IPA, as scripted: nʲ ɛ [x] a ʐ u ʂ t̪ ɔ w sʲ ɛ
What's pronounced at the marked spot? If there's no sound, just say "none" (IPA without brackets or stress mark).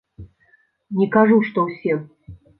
k